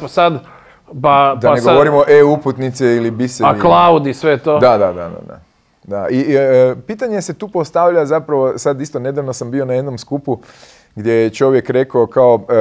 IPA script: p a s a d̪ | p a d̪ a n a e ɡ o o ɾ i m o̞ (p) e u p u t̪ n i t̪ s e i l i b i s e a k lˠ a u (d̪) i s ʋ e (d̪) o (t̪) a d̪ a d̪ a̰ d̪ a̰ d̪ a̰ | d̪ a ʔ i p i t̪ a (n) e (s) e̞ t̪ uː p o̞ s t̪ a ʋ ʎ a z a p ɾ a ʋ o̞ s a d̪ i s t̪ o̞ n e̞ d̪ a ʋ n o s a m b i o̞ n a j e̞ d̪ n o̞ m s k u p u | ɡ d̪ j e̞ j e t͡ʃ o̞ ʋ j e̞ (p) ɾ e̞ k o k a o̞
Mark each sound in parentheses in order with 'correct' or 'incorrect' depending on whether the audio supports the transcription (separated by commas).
incorrect, correct, incorrect, incorrect, incorrect, correct, incorrect